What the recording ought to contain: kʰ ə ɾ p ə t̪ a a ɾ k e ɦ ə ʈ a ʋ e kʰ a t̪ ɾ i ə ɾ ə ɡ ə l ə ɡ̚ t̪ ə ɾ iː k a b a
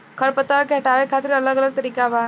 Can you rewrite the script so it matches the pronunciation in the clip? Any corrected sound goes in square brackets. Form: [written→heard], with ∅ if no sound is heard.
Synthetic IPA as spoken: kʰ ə ɾ p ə t̪ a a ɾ k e ɦ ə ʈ a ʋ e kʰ a t̪ ɾ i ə [ɾ→l] ə ɡ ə l ə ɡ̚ t̪ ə ɾ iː k a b a